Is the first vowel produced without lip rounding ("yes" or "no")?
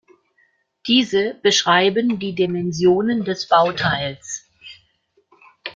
yes